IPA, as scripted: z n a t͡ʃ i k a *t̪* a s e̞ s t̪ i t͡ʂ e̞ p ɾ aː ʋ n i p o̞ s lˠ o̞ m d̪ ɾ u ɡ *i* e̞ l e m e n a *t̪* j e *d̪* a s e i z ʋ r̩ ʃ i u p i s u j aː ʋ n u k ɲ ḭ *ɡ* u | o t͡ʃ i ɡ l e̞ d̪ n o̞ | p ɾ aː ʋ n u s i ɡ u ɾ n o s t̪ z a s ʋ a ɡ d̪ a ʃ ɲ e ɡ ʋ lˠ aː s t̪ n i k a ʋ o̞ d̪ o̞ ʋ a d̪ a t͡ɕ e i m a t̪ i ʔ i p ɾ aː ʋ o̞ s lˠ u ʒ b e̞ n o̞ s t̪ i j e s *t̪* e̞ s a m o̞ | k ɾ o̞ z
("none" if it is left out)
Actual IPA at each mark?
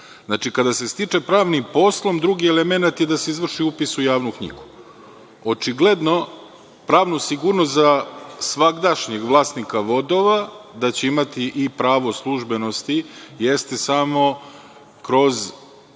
d̪, i, t̪, d̪, ɡ, t̪

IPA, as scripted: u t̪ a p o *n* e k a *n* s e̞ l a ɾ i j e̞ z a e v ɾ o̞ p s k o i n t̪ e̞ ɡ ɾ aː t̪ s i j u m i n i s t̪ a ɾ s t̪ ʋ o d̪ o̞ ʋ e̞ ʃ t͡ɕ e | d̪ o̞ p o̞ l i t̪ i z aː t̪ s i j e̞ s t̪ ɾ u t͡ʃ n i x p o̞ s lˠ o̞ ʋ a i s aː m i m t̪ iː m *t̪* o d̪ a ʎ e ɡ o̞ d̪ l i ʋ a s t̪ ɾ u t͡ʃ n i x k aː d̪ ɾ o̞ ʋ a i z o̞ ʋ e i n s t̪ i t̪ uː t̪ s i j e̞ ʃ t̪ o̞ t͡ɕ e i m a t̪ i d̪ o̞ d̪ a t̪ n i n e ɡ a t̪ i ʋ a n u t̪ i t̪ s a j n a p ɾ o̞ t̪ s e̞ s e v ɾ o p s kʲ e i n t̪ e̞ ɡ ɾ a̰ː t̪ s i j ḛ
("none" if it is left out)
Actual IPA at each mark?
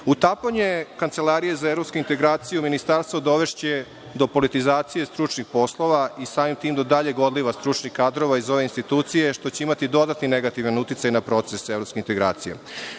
ɲ, n, d̪

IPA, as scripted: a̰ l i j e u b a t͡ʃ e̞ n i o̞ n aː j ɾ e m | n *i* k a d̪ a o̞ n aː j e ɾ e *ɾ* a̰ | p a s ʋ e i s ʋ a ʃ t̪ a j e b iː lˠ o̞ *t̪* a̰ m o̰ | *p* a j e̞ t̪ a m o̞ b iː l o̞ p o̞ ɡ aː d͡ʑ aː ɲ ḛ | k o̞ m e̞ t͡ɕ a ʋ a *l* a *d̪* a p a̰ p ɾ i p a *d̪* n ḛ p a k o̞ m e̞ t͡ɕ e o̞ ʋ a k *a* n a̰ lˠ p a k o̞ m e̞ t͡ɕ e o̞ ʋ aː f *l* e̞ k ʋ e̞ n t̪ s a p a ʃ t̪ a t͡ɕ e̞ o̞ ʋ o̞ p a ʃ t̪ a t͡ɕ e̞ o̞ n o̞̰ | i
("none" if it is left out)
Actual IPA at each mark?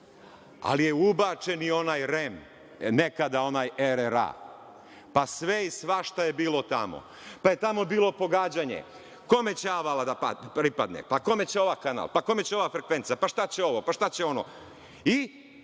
e, ɾ, t̪, p, l, d̪, d̪, a, ɾ

